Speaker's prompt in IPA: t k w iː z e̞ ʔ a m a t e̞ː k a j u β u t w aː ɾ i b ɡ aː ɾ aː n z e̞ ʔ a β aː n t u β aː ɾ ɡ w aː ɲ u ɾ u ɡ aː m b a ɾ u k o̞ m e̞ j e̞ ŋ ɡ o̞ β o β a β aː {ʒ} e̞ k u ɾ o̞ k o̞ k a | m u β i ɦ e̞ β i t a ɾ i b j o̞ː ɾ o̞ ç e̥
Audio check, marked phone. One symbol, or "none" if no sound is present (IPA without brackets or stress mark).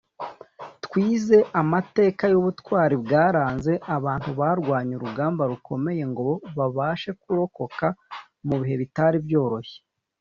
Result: ʃ